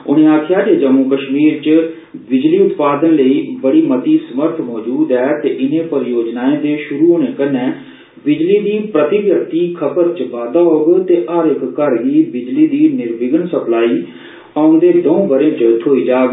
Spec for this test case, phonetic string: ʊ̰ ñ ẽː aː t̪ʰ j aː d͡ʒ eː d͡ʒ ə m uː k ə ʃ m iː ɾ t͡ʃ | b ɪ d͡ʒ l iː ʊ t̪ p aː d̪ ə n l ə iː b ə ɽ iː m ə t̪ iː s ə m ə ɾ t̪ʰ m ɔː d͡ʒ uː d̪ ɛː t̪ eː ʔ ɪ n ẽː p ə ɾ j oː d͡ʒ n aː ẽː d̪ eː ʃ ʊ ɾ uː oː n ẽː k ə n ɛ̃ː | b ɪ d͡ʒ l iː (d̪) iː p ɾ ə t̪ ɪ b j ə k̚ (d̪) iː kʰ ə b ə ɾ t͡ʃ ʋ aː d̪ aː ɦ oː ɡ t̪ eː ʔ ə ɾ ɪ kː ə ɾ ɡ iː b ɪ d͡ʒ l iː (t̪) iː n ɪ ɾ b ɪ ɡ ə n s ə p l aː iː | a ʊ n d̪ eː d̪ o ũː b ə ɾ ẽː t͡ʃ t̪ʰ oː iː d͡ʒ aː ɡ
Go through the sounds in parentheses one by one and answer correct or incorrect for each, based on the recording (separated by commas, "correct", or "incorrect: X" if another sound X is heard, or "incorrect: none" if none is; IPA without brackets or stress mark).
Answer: correct, incorrect: t̪, incorrect: d̪